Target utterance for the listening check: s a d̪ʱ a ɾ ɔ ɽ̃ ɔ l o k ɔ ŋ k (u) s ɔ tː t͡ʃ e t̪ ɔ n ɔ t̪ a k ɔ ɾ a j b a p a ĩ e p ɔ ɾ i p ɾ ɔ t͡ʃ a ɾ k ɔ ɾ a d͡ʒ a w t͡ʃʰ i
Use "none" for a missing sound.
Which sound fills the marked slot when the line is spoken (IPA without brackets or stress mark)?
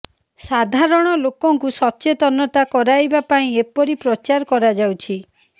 u